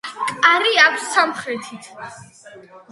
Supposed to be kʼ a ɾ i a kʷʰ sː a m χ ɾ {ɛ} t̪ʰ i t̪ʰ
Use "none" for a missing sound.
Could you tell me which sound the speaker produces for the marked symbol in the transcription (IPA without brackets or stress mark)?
ɛ